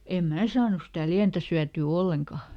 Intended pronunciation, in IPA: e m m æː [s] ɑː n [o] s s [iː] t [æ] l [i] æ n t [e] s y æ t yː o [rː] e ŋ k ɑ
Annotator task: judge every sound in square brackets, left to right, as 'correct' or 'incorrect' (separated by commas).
correct, incorrect, incorrect, correct, correct, incorrect, incorrect